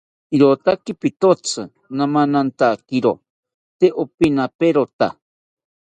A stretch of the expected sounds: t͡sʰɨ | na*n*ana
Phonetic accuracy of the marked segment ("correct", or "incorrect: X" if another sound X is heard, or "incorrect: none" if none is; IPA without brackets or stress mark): incorrect: m